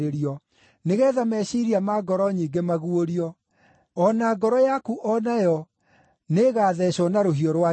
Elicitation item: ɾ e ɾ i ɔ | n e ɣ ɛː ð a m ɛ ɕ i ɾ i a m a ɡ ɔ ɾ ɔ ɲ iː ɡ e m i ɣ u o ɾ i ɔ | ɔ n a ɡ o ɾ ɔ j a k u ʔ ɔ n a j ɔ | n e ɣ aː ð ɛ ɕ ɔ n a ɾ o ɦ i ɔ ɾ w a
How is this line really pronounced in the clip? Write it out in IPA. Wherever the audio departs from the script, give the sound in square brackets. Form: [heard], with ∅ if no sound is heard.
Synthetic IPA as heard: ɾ e ɾ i ɔ | n e ɣ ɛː ð a m ɛ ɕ i ɾ i a m a ɡ ɔ ɾ ɔ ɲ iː ɡ e m [a] ɣ u o ɾ i ɔ | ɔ n a ɡ [ɔ] ɾ ɔ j a k u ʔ ɔ n a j ɔ | n e ɣ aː ð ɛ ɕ ɔ n a ɾ o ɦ i ɔ ɾ w a